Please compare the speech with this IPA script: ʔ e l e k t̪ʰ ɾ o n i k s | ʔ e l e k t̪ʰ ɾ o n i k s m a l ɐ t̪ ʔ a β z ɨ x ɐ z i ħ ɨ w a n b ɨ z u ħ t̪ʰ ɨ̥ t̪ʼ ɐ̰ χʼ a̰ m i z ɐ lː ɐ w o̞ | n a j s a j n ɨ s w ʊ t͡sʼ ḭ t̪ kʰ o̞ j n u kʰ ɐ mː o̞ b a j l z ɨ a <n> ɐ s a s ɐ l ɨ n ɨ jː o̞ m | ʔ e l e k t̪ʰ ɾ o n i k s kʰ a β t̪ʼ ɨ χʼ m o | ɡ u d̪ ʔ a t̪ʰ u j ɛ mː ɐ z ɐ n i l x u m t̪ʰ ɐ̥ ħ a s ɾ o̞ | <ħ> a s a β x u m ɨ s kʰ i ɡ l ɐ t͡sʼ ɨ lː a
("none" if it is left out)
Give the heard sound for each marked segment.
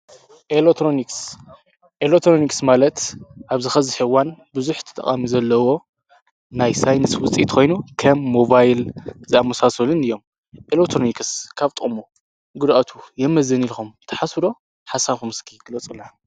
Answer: m, ħ

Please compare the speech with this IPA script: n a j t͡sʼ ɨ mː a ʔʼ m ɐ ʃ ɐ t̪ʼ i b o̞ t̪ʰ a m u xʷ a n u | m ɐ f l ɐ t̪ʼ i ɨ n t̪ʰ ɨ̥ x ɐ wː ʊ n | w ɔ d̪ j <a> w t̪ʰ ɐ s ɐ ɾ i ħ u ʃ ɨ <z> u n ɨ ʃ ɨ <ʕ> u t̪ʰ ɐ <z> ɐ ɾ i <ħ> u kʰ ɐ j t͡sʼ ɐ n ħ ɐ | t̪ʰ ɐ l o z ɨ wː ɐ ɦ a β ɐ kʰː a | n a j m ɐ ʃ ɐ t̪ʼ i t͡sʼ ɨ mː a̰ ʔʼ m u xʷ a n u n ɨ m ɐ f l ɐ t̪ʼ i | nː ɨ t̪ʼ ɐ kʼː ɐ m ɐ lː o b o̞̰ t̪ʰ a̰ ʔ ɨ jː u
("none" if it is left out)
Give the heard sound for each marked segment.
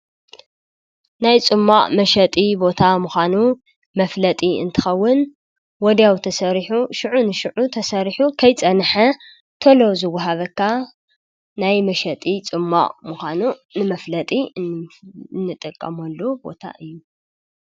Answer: a, ʕ, ʕ, s, ħ

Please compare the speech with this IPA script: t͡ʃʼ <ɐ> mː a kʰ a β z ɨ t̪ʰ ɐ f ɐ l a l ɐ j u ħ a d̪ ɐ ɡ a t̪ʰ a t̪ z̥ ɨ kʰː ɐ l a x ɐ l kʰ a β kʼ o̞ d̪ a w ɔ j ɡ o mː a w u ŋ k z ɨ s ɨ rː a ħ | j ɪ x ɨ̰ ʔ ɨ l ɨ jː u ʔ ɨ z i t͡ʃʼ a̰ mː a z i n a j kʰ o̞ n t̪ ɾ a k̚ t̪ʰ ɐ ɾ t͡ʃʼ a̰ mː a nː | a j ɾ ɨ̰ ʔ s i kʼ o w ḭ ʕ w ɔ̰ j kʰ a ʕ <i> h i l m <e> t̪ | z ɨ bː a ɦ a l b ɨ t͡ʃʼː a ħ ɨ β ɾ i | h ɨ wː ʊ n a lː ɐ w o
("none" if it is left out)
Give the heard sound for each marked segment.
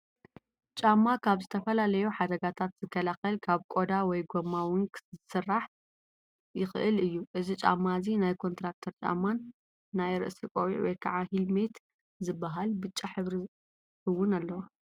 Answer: a, a, e

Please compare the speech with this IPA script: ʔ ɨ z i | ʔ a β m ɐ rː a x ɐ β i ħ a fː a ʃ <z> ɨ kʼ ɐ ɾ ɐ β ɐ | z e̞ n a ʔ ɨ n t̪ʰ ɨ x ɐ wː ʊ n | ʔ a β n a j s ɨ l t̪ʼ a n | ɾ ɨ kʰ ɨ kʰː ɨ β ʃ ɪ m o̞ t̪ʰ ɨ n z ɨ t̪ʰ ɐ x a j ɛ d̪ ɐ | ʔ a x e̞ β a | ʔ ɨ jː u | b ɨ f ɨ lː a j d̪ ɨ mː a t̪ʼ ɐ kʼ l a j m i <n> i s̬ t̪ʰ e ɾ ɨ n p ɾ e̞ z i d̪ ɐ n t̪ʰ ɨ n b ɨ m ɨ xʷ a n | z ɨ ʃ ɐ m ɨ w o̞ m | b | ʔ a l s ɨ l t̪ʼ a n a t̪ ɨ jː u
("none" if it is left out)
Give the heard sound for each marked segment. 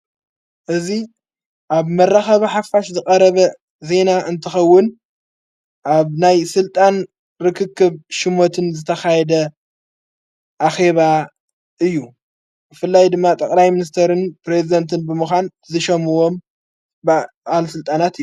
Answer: z, n

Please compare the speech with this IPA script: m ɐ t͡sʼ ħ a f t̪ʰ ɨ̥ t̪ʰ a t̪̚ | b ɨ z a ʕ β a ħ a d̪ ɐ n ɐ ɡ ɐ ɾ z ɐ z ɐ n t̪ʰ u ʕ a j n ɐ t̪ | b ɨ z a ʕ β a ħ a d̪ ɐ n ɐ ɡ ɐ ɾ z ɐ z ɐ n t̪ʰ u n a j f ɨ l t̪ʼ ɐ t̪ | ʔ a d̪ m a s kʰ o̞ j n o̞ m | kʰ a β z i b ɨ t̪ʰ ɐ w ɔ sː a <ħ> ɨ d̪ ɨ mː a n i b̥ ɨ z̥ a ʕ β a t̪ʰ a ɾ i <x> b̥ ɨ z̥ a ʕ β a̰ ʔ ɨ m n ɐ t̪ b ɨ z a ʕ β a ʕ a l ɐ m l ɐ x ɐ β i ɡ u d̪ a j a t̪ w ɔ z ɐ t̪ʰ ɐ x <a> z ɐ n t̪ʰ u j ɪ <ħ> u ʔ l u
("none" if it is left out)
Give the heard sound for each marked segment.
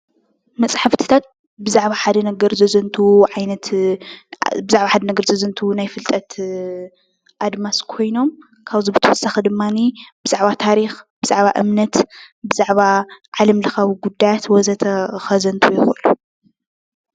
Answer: x, x, ɐ, x

